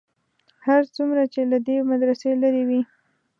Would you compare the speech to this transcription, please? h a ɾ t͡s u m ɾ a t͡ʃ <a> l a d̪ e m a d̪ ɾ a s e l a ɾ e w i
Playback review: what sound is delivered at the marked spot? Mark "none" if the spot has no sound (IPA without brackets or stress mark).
e